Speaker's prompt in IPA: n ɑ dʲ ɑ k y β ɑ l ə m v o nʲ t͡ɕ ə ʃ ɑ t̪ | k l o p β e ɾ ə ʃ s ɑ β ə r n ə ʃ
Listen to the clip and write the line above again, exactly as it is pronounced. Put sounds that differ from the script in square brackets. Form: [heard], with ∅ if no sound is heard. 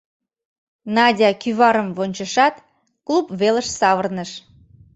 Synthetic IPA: n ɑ dʲ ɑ k y β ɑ [ɾ] ə m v o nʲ t͡ɕ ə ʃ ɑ t̪ | k l [u] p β e [l] ə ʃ s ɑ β ə r n ə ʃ